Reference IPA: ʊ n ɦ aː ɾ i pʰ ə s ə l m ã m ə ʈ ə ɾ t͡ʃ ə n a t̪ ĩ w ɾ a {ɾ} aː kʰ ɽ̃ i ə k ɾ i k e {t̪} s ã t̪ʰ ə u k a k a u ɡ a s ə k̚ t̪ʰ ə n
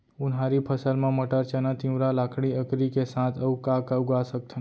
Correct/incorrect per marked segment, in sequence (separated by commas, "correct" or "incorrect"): incorrect, incorrect